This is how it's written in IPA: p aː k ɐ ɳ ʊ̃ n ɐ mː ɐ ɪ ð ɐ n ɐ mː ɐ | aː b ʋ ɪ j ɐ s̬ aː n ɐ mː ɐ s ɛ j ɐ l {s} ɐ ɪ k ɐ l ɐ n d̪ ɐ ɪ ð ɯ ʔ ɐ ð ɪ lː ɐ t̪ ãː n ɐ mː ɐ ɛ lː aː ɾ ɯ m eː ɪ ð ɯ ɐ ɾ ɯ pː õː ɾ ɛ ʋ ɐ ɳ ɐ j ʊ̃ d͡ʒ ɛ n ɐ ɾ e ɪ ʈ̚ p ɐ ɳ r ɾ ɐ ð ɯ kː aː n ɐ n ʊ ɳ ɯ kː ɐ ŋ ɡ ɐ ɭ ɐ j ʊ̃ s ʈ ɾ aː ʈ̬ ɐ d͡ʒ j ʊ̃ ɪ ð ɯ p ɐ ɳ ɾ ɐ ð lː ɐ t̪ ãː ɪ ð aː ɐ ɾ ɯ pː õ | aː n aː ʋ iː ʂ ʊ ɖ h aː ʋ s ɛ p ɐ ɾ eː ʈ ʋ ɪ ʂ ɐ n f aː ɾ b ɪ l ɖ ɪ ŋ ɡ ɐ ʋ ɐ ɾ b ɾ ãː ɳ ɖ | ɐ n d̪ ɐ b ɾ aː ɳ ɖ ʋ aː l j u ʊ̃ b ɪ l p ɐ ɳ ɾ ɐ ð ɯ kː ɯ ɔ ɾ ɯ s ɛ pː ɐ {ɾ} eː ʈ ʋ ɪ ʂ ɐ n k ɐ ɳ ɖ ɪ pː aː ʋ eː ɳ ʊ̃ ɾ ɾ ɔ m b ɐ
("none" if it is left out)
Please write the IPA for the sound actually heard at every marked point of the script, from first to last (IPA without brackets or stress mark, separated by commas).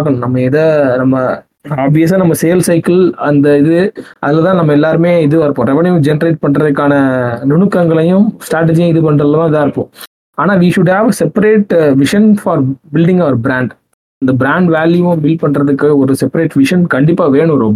s, ɾ